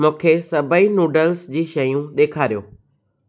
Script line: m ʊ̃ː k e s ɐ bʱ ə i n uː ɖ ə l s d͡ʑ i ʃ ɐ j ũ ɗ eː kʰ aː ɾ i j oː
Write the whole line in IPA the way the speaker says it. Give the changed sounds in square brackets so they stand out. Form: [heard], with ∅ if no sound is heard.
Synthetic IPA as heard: m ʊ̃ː [kʰ] e s ɐ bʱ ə i n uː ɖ ə l s d͡ʑ [iː] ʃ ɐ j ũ ɗ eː kʰ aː ɾ i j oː